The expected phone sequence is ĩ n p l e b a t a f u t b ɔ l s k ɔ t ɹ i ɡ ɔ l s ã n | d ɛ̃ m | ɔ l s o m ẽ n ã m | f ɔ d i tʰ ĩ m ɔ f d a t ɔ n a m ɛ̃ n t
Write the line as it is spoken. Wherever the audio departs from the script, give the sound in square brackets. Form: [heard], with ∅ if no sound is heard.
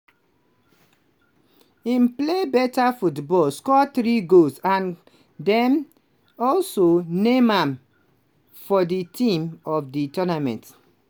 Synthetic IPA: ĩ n p l e b [ɛ] t a f u t b ɔ l s k ɔ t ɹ i ɡ [o] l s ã n | d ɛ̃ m | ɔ l s o [n] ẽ [m] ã m | f ɔ d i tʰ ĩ m ɔ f d [i] t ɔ n a m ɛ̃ n t